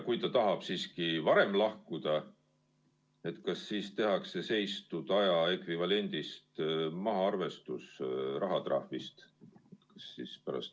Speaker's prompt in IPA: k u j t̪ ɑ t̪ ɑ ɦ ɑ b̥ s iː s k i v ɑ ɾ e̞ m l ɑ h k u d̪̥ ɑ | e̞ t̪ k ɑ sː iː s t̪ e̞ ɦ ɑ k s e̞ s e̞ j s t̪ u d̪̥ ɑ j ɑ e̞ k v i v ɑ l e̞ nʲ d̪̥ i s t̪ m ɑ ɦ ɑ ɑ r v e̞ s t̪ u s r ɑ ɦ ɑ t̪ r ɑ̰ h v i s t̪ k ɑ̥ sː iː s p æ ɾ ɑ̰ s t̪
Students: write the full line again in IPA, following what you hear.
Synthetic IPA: k u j t̪ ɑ t̪ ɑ ɦ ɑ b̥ s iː s k i v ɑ ɾ e̞ m l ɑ h k u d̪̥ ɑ | e̞ t̪ k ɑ sː iː s t̪ e̞ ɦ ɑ k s e̞ s e̞ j s t̪ u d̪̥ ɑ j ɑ e̞ k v i v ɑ l e̞ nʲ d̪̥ i s t̪ m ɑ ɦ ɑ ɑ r v e̞ s t̪ u s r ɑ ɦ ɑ t̪ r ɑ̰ h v i s t̪ k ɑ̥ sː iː s p æ ɾ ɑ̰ s t̪